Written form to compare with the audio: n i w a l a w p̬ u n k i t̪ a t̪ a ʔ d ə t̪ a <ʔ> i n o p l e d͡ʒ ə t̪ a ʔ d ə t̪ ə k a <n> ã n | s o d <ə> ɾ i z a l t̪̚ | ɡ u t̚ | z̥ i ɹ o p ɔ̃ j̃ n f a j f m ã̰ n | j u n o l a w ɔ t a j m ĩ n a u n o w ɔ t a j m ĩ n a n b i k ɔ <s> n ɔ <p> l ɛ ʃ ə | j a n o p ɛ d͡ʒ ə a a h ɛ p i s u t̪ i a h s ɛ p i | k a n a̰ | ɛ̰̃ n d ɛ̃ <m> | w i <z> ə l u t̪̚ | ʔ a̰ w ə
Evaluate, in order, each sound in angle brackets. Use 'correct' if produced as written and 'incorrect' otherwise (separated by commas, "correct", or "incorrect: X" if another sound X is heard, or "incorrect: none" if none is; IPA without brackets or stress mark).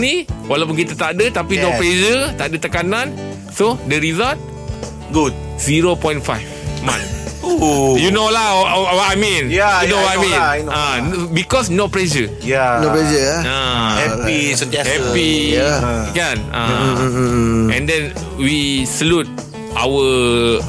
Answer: incorrect: p, correct, correct, correct, correct, incorrect: n, incorrect: s